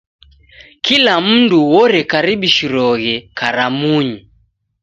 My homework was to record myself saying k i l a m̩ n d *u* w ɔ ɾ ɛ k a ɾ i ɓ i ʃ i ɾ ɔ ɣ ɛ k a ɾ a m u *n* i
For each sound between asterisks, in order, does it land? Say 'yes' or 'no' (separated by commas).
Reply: yes, no